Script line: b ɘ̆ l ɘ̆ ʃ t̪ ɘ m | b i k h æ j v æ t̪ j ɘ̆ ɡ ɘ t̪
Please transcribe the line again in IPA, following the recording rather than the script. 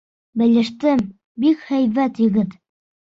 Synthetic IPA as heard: b ɘ̆ l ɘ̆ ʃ t̪ ɘ m | b i k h æ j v æ t̪ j ɘ̆ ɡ ɘ t̪